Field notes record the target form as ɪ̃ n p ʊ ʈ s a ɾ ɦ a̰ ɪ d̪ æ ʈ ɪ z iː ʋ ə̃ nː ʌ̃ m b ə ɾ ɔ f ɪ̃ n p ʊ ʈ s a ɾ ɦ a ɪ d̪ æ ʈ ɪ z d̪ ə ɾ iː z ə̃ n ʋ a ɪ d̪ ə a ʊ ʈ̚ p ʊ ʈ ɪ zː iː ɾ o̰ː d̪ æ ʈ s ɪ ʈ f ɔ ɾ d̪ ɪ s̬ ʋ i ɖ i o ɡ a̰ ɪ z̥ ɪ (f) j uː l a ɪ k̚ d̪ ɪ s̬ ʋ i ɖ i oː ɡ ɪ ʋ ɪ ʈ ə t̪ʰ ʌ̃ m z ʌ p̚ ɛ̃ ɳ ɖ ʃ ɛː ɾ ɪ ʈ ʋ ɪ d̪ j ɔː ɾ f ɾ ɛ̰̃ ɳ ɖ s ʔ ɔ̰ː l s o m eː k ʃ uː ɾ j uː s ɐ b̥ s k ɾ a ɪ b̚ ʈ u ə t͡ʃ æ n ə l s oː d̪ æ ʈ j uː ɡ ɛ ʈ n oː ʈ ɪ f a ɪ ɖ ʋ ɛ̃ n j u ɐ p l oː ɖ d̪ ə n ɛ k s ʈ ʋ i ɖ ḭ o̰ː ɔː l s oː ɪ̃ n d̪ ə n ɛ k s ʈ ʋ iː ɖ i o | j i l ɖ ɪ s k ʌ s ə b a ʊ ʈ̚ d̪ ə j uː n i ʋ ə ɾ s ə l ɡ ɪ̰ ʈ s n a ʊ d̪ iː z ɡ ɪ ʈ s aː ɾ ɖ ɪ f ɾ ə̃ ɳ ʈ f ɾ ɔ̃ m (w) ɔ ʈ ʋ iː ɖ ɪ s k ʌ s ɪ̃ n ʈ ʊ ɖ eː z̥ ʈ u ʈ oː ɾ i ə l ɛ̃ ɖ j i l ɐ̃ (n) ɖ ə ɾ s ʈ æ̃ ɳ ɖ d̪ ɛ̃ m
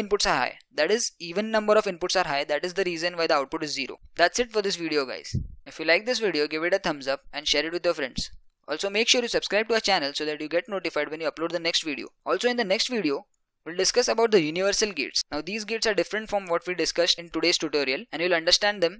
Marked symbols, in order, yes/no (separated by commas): yes, no, no